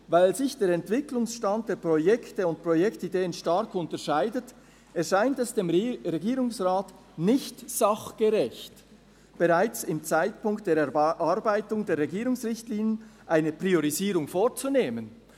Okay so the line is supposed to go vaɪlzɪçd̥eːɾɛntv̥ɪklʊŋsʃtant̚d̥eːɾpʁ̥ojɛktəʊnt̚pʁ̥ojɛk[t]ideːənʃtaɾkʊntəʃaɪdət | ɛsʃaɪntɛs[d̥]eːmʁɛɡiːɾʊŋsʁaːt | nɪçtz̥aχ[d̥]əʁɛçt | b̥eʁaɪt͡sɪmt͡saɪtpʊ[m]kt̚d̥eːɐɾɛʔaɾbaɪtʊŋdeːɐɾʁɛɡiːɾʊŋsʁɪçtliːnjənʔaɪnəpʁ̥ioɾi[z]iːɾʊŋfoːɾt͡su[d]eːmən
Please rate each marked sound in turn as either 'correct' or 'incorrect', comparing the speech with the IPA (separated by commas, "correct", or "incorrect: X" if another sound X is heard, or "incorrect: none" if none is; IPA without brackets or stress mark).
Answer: correct, correct, incorrect: ɡ̥, incorrect: ŋ, correct, incorrect: n